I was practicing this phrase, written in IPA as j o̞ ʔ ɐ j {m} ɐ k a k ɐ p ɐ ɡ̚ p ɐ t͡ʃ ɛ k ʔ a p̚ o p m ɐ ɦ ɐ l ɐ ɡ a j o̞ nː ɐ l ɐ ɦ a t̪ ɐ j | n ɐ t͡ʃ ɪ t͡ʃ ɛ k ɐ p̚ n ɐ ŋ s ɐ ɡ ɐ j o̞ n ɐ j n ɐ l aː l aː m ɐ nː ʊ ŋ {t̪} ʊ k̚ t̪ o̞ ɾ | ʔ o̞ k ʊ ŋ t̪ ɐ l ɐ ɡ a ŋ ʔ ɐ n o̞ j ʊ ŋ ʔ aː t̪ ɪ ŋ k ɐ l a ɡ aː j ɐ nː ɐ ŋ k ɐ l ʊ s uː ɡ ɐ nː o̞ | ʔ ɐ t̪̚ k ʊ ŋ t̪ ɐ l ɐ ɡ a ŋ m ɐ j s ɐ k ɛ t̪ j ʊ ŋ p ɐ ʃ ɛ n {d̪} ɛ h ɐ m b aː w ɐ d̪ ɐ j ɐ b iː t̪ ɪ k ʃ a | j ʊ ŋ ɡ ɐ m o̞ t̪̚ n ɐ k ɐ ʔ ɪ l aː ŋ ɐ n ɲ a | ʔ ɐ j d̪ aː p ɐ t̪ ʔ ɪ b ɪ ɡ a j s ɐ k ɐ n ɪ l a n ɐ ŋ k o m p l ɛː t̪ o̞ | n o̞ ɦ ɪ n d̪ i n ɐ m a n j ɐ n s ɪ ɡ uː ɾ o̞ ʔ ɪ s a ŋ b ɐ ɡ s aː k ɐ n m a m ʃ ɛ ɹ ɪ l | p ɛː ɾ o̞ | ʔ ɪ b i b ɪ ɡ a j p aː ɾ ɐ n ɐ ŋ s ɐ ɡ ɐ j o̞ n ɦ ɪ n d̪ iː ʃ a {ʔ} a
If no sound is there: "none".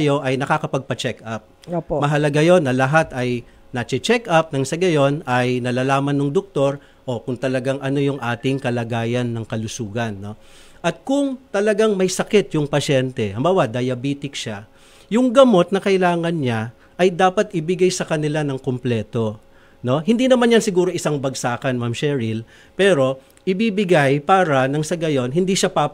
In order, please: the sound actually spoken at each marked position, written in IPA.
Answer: n, d̪, t̪, p

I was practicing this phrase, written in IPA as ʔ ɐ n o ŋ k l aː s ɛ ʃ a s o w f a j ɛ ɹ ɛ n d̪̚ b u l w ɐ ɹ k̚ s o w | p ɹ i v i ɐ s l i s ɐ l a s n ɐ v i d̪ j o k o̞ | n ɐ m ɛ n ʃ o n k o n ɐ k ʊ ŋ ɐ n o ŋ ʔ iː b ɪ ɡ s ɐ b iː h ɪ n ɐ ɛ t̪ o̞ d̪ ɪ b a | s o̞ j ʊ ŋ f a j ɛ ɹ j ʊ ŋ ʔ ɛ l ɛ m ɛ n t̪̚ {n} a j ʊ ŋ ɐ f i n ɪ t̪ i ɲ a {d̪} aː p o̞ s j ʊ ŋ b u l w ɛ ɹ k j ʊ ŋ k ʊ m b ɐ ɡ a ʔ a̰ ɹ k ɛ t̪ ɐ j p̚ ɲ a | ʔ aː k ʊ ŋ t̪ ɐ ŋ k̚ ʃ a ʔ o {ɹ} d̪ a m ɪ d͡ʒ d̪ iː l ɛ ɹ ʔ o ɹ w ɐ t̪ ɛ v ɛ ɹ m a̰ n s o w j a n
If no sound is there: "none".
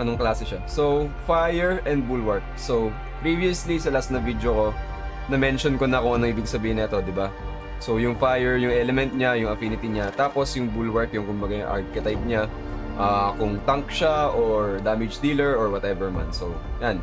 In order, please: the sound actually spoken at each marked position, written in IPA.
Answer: ɲ, t̪, ɹ

